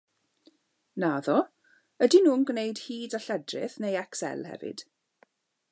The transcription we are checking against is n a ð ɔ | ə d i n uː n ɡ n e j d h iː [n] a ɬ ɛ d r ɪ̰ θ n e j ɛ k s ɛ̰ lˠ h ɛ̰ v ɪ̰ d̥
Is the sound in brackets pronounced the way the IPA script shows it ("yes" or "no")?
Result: no